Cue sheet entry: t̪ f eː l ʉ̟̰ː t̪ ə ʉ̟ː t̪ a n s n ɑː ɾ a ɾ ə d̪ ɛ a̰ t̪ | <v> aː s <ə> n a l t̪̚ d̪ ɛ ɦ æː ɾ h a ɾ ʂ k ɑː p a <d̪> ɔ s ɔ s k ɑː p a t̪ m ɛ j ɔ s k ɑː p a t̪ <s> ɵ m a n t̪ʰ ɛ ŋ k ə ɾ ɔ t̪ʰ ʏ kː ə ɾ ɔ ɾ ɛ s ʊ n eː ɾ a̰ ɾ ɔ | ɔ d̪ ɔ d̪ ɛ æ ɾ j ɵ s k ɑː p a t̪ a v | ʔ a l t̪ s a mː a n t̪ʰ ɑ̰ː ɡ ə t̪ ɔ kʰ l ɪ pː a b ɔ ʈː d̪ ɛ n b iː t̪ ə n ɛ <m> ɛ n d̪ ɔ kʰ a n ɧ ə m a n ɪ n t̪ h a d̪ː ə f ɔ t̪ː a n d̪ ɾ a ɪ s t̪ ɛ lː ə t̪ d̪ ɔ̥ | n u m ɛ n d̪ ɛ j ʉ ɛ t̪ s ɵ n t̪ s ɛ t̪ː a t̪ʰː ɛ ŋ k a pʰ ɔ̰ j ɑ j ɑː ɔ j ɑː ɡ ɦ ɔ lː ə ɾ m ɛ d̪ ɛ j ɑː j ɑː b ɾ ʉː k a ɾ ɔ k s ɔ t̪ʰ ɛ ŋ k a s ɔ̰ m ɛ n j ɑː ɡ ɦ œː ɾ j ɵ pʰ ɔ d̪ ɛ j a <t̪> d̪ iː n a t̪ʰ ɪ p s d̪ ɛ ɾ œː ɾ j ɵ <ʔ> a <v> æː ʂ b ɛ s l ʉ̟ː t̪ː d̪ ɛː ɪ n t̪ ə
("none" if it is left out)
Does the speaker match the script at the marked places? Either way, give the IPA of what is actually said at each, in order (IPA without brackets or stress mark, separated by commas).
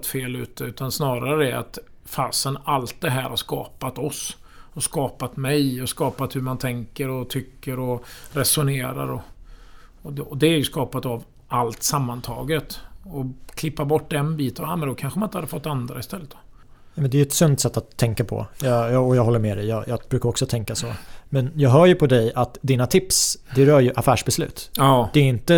f, ə, t̪, h, m, t̪, ʔ, f